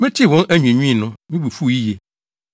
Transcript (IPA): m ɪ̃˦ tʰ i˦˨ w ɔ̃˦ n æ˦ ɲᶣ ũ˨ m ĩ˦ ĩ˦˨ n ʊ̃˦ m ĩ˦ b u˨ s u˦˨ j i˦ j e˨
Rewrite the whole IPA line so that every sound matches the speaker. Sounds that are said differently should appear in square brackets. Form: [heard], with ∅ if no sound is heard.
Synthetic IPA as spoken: m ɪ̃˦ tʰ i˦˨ w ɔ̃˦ n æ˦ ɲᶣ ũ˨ [ɲ] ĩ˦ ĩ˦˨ n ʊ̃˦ m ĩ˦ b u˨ [f] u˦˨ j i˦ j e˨